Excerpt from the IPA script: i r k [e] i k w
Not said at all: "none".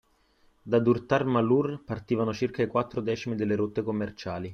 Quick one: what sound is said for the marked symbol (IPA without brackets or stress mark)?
a